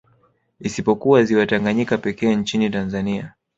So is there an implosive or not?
no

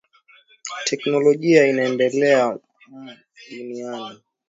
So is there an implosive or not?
yes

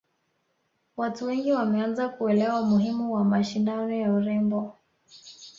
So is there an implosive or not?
no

